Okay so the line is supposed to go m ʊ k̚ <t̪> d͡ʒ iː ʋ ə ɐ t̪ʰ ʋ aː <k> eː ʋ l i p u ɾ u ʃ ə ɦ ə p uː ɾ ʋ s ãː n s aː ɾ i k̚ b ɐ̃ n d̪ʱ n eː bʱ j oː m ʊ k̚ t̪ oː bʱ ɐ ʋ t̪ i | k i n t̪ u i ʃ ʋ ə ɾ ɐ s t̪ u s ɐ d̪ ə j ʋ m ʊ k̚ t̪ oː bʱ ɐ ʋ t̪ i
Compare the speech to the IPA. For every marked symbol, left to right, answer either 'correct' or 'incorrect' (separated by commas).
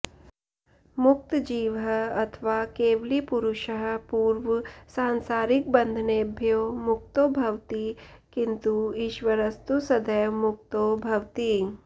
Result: correct, correct